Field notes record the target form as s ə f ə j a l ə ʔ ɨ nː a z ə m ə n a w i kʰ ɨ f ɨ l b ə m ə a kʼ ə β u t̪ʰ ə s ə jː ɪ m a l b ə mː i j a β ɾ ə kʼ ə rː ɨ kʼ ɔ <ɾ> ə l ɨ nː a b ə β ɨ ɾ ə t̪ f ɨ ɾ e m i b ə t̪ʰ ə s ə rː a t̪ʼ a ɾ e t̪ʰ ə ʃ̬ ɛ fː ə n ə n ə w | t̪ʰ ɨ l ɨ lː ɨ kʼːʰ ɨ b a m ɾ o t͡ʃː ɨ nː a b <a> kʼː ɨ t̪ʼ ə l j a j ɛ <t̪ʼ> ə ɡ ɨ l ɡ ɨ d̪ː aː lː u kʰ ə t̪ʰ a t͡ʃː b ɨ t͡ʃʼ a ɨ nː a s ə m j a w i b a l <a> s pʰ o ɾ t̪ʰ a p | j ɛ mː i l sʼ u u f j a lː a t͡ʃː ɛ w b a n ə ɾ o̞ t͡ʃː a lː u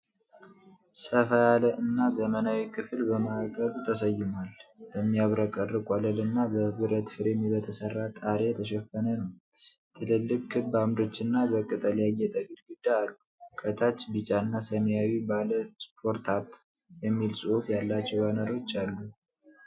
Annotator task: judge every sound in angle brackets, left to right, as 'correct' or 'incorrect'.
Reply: incorrect, incorrect, correct, incorrect

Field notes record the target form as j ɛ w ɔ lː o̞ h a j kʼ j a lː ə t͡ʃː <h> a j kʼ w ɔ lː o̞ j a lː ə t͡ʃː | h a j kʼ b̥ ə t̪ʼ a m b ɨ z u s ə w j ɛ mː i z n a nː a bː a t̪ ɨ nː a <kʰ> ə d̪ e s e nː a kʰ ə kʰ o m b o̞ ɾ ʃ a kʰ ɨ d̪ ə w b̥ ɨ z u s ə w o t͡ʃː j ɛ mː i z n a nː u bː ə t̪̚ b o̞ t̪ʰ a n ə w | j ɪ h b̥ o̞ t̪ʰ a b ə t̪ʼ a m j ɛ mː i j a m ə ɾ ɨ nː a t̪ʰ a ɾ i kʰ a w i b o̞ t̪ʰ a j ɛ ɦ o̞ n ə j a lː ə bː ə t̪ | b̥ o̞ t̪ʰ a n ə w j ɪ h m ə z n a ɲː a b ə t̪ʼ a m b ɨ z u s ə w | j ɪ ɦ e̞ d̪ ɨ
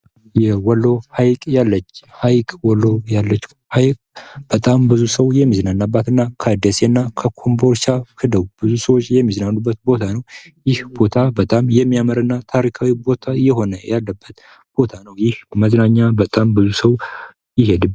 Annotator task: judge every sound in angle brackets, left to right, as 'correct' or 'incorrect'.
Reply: correct, correct

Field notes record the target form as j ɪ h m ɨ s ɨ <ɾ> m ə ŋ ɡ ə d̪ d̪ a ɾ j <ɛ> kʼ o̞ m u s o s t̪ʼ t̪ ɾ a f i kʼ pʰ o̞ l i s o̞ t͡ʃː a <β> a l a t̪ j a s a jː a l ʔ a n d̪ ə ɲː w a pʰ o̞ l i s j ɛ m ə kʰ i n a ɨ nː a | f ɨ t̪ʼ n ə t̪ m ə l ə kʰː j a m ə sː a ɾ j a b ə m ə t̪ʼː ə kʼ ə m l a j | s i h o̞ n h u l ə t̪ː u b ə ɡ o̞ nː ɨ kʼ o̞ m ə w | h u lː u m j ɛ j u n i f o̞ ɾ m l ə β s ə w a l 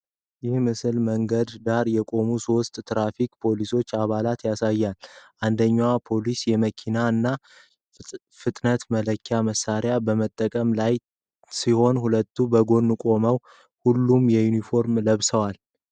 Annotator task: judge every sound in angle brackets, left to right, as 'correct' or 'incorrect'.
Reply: incorrect, correct, correct

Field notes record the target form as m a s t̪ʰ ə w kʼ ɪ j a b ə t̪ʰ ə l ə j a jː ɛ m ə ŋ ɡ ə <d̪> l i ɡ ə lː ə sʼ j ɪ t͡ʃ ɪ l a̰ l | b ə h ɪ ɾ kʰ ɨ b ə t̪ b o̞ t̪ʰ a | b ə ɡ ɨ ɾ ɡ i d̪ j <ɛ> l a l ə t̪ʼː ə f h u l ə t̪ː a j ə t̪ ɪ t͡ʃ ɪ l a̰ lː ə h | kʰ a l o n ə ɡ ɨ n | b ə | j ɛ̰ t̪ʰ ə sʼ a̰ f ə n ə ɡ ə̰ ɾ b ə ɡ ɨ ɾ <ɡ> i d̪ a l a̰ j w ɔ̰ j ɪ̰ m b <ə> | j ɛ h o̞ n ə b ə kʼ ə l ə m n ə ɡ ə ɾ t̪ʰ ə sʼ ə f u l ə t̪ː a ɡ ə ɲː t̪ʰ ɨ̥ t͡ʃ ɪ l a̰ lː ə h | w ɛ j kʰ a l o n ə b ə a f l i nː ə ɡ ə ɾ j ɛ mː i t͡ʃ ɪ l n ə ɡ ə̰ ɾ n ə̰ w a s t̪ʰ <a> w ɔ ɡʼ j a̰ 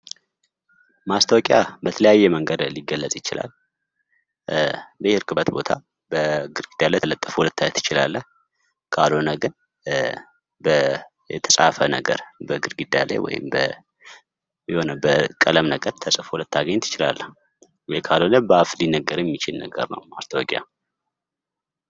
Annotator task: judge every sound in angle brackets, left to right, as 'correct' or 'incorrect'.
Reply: correct, incorrect, correct, correct, incorrect

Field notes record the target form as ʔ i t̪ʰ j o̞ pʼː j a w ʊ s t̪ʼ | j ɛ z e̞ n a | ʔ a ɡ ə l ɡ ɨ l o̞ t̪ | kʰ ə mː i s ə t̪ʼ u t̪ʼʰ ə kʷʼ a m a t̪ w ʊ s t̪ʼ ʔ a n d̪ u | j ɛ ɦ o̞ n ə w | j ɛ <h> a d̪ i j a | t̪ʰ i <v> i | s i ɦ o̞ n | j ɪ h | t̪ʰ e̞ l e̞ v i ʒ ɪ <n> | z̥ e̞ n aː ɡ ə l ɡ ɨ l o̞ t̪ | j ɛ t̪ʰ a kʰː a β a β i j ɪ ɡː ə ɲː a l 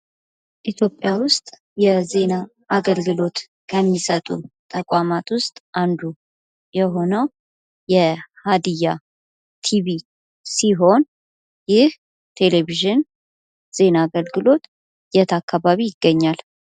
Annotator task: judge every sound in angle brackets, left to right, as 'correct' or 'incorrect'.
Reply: correct, incorrect, correct

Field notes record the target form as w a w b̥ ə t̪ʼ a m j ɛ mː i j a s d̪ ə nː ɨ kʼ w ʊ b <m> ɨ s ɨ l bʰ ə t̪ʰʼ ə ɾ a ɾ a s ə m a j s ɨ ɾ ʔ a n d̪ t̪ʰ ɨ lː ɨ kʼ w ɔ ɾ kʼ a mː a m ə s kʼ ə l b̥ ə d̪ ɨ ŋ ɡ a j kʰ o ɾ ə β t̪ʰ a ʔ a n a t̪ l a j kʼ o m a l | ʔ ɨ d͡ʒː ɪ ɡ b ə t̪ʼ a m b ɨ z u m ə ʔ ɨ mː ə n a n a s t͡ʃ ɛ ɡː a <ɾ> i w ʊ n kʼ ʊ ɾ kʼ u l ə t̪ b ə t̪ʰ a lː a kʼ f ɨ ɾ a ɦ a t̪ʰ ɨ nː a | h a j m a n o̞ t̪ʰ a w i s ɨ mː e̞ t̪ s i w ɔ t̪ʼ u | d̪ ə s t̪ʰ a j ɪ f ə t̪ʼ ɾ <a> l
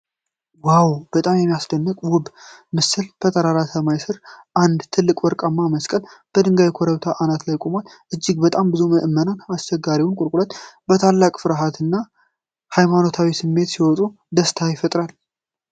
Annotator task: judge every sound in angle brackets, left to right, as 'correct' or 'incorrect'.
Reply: correct, correct, correct

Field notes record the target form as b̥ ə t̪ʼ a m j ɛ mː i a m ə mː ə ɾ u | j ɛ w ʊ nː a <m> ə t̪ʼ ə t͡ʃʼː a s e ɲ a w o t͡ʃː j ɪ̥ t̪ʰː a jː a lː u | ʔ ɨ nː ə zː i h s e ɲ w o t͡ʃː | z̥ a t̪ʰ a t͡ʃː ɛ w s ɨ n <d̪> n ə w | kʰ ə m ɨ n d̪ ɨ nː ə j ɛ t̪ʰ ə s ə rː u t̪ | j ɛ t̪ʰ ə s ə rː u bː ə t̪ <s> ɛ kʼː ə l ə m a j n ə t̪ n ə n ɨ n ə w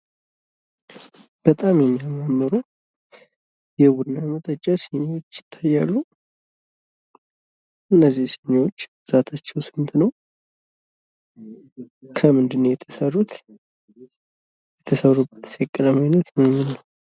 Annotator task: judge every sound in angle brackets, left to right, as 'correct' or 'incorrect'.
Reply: correct, incorrect, correct

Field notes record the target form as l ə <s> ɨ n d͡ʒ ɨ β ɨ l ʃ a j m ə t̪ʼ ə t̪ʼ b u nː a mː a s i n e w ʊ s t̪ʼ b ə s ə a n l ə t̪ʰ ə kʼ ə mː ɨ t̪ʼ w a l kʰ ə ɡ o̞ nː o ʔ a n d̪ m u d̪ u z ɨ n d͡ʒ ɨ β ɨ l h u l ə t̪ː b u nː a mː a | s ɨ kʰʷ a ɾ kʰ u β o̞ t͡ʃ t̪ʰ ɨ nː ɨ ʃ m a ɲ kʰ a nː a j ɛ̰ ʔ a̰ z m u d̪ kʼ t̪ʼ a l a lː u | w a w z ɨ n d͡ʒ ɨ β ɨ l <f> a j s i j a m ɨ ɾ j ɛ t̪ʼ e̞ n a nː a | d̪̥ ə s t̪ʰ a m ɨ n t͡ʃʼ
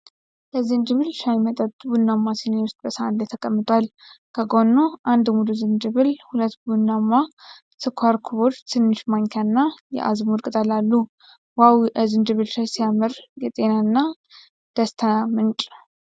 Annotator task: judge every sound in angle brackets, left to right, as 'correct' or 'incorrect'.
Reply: incorrect, incorrect

